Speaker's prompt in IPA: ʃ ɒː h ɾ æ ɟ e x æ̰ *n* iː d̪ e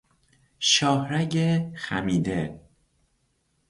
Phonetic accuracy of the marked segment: incorrect: m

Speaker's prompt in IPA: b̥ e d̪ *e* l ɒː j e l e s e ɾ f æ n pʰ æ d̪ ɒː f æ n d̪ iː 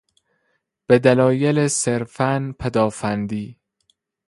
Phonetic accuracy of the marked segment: incorrect: æ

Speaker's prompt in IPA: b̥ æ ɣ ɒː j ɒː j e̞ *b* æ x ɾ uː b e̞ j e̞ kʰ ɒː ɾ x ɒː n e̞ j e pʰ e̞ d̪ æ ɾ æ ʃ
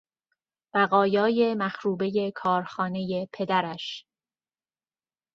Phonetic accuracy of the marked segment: incorrect: m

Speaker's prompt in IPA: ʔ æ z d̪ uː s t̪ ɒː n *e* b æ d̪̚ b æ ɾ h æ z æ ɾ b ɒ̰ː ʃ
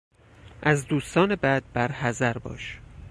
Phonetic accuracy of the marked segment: correct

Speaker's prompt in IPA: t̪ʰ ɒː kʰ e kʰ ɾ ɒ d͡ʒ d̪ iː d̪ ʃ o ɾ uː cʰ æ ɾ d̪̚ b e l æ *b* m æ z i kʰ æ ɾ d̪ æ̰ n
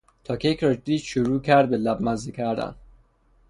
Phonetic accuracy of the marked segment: correct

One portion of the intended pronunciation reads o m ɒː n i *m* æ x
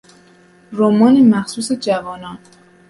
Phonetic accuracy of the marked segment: correct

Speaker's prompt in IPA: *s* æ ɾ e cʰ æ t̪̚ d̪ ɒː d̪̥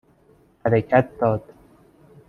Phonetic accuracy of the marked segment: incorrect: h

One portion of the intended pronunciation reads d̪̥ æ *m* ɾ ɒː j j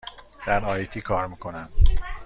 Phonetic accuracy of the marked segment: incorrect: none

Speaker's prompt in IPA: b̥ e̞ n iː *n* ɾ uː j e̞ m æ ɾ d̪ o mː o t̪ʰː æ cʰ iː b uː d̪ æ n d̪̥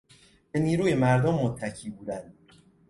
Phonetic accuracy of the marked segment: incorrect: none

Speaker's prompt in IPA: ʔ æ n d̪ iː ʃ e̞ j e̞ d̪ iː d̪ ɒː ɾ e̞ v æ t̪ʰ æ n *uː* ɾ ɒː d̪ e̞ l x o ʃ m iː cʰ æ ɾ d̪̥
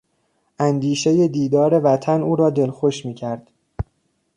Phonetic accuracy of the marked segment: correct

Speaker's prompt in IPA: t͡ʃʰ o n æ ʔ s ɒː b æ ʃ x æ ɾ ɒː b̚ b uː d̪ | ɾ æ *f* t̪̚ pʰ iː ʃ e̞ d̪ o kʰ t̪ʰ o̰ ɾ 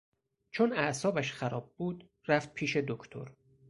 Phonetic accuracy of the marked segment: correct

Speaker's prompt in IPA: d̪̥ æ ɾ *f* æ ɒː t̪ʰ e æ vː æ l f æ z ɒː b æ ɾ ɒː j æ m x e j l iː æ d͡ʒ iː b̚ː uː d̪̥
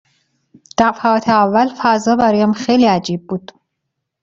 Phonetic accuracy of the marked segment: correct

